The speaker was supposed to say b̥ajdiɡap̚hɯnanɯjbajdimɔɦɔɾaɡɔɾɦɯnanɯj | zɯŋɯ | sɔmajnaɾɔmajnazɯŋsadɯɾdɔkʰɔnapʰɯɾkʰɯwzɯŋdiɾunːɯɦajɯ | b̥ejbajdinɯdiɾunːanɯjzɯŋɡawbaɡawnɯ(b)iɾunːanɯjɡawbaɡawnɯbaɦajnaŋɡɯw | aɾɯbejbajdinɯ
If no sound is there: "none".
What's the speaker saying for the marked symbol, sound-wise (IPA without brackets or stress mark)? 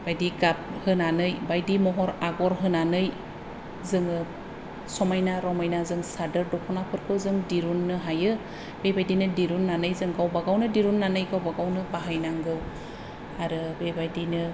d